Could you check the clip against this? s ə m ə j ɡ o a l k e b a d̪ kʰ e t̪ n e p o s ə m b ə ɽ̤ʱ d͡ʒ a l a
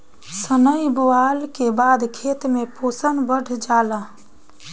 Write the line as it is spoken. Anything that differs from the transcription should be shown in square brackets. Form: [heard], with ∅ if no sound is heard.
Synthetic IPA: s ə [n] ə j [b] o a l k e b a d̪ kʰ e t̪ [m] e p o s ə [n] b ə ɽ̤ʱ d͡ʒ a l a